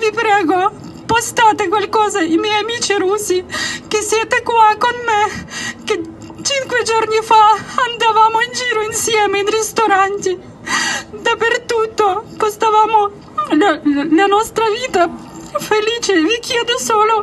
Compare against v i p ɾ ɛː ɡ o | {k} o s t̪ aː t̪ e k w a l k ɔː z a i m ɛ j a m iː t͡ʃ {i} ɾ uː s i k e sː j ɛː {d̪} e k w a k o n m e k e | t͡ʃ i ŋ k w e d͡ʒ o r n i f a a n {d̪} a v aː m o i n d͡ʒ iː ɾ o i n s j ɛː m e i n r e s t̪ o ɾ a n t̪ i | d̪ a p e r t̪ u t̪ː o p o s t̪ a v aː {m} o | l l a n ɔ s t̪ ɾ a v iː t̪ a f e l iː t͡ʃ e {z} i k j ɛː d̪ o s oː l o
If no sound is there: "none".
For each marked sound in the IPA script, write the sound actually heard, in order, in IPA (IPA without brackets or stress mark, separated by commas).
p, i, t̪, d̪, m, v